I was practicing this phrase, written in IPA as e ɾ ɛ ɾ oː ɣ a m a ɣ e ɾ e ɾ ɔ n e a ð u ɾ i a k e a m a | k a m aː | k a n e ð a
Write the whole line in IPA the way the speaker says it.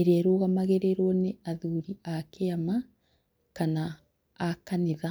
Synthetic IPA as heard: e ɾ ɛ ɾ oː ɣ a m a ɣ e ɾ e ɾ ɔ n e a ð u ɾ i a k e a m a | k a n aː | k a n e ð a